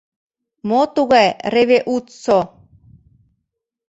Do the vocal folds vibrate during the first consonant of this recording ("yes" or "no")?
yes